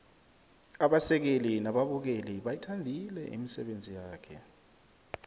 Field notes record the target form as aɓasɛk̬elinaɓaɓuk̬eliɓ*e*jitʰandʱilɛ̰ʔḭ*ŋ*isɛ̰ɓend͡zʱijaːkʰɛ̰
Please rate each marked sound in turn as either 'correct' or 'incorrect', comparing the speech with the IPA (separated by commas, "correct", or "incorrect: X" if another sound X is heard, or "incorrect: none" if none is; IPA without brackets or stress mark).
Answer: incorrect: a, incorrect: m